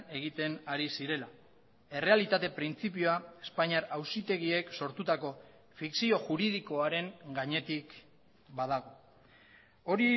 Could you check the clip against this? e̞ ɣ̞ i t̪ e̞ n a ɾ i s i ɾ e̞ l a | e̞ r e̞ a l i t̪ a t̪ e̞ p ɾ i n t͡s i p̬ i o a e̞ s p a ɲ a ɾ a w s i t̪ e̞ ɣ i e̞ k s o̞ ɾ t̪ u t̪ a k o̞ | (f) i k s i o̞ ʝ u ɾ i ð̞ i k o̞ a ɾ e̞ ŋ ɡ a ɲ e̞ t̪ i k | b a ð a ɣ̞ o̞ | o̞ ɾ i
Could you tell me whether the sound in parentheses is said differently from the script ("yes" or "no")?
no